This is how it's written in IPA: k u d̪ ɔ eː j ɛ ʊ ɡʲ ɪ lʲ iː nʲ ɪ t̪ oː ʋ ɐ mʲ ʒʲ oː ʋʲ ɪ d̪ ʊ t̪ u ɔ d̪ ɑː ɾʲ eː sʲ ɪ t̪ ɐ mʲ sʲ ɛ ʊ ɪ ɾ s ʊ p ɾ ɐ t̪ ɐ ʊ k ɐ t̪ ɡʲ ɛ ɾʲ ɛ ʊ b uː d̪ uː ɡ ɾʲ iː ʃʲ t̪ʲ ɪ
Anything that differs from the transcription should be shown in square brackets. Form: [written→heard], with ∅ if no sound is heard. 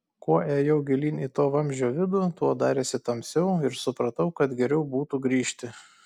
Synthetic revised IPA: k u [d̪→∅] ɔ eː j ɛ ʊ ɡʲ ɪ lʲ iː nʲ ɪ t̪ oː ʋ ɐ mʲ ʒʲ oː ʋʲ ɪ d̪ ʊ t̪ u ɔ d̪ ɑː ɾʲ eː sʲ ɪ t̪ ɐ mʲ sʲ ɛ ʊ ɪ ɾ s ʊ p ɾ ɐ t̪ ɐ ʊ k ɐ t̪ ɡʲ ɛ ɾʲ ɛ ʊ b uː [d̪→t̪] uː ɡ ɾʲ iː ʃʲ t̪ʲ ɪ